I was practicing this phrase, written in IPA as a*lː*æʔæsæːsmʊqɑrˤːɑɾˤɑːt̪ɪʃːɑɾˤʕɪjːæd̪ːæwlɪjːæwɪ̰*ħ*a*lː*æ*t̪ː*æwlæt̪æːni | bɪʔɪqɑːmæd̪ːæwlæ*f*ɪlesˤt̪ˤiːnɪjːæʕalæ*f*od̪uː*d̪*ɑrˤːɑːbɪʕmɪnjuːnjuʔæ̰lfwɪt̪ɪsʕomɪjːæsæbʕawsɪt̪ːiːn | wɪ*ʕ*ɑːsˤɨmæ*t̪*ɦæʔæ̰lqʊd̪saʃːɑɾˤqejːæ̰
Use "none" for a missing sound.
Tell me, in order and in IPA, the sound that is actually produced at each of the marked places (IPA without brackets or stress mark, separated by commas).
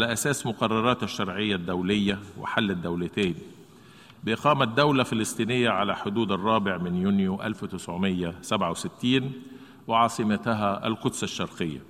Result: l, ħ, lː, d̪ː, f, ħ, d̪, ʕ, t̪